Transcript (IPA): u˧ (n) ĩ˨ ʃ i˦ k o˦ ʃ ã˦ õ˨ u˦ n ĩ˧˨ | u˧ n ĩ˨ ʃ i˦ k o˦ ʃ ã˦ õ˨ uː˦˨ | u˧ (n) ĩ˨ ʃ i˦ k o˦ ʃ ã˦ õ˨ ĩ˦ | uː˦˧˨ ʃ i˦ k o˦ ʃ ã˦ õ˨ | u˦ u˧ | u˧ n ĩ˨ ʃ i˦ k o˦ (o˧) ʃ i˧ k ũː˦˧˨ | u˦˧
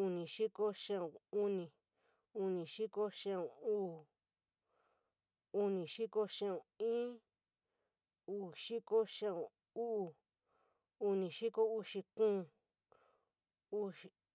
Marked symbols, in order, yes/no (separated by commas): yes, yes, no